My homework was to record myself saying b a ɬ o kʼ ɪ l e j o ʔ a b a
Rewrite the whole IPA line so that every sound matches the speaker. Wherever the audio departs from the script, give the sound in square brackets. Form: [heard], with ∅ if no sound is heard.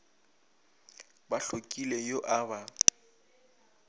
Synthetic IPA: b a ɬ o kʼ [i] l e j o ʔ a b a